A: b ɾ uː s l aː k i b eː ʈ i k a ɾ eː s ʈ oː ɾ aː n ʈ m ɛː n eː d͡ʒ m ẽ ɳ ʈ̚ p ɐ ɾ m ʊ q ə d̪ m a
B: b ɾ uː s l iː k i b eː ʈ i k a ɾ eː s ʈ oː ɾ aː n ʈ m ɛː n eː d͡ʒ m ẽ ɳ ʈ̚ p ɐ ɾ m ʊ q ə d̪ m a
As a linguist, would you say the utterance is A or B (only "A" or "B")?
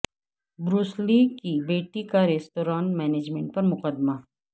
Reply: B